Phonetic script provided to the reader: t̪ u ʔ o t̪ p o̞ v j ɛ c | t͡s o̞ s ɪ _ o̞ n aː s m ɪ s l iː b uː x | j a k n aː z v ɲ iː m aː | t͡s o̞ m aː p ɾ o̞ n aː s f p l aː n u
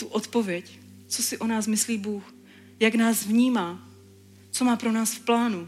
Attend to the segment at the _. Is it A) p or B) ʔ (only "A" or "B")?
B